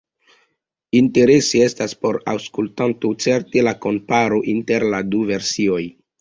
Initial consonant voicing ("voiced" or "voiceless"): voiced